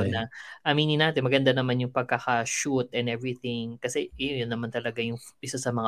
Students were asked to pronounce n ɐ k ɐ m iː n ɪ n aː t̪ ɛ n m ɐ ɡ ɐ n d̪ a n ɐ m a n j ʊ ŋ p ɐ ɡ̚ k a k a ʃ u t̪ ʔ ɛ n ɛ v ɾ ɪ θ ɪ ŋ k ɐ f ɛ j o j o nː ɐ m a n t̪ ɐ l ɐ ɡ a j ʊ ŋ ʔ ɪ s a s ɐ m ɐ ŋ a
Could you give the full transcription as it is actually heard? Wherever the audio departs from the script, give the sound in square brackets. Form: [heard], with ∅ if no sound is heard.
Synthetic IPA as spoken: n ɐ [ʔ] ɐ m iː n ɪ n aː t̪ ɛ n m ɐ ɡ ɐ n d̪ a n ɐ m a n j ʊ ŋ p ɐ ɡ̚ k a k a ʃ u t̪ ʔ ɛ n ɛ v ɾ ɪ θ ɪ ŋ k ɐ [s] ɛ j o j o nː ɐ m a n t̪ ɐ l ɐ ɡ a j ʊ ŋ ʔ ɪ s a s ɐ m ɐ ŋ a